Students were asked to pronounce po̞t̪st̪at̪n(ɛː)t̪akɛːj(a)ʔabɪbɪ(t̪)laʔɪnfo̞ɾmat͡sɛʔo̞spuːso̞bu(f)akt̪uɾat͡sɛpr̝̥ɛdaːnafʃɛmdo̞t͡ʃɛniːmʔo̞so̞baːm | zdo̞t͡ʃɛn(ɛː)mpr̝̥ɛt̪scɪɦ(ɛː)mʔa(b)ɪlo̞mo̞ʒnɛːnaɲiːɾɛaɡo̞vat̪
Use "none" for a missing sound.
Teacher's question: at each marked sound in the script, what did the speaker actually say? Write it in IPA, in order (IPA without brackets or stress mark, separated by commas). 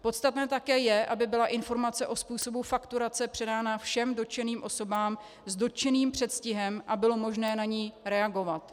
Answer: ɛː, ɛ, none, f, iː, ɛ, b